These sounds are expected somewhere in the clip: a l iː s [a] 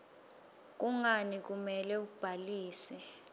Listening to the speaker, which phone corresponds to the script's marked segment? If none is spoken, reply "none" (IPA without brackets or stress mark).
ɛ